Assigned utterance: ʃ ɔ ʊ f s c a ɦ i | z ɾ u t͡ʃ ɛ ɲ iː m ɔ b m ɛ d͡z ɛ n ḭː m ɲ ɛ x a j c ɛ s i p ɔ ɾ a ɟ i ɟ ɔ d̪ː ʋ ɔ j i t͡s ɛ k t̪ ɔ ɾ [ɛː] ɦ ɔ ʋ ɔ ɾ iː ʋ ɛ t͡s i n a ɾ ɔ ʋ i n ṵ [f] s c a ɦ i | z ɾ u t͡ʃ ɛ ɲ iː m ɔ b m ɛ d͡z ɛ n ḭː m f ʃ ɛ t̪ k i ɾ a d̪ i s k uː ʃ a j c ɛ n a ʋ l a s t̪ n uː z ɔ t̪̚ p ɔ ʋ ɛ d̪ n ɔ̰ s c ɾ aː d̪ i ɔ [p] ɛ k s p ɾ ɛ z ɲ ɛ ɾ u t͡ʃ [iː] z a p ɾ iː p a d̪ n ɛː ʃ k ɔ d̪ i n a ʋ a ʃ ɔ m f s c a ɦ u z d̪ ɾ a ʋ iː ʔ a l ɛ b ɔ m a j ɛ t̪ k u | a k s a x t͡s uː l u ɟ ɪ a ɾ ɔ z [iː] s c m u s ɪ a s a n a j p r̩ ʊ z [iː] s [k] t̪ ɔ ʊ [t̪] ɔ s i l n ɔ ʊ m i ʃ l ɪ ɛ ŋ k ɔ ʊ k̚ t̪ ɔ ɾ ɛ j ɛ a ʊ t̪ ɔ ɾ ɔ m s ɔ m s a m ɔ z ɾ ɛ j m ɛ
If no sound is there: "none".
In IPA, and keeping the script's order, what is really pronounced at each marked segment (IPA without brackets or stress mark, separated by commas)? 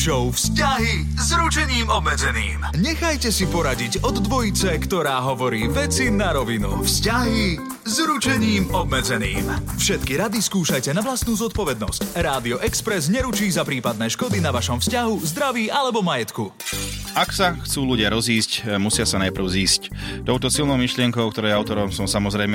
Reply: aː, f, ʔ, iː, iː, iː, c, t̪